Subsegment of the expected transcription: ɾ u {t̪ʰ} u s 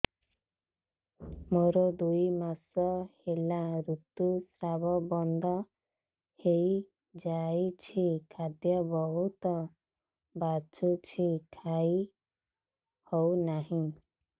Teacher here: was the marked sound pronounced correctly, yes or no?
no